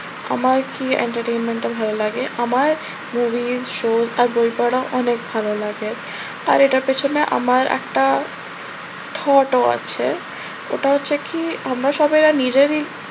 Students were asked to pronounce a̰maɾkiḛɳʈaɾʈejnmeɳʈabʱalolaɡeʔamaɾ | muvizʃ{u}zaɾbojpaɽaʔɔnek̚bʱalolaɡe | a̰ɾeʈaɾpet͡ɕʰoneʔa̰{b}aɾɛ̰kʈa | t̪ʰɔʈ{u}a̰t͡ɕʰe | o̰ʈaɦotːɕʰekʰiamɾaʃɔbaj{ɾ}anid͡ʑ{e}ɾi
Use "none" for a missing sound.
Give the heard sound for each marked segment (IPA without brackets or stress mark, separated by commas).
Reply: o, m, o, ɾ, e